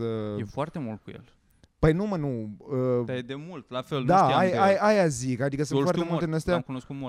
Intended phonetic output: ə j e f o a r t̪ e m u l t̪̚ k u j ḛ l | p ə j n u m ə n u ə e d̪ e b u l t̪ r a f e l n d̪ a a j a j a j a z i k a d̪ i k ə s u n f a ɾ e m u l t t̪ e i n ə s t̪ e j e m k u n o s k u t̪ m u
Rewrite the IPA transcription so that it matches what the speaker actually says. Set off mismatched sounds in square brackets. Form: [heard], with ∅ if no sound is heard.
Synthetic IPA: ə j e f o a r t̪ e m u l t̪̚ k u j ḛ l | p ə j n u m ə n u ə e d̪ e [m] u l t̪ [l] a f e l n d̪ a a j a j a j a z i k a d̪ i k ə s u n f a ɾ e m u l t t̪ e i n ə s t̪ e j [a] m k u n o s k u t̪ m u